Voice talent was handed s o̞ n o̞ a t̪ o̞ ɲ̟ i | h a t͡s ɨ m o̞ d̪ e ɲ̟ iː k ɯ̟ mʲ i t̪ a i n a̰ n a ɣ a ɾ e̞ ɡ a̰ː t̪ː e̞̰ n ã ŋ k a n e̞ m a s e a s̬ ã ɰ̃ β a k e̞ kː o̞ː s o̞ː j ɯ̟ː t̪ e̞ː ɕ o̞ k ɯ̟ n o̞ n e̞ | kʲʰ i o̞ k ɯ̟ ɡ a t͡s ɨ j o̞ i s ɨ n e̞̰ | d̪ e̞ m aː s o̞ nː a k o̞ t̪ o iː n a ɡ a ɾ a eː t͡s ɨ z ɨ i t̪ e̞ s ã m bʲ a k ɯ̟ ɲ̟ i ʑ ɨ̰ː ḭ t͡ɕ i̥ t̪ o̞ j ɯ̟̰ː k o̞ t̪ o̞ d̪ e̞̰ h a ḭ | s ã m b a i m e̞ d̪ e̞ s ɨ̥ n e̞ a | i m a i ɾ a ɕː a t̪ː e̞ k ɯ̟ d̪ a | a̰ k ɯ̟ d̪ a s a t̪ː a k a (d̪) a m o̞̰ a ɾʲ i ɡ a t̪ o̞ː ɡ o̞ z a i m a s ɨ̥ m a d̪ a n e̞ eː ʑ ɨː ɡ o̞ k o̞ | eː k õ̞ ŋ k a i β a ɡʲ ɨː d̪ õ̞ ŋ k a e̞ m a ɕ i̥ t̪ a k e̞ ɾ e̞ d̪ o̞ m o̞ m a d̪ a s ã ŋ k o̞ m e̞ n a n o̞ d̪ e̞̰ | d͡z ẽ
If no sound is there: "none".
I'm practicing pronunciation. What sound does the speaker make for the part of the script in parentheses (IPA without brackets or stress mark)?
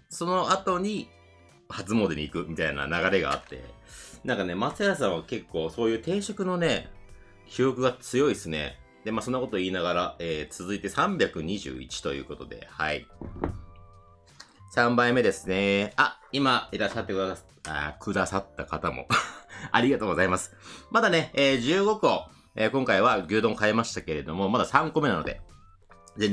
t̪